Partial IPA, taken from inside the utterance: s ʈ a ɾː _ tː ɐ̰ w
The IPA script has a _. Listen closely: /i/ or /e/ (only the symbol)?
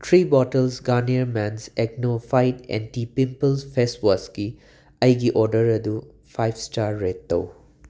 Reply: e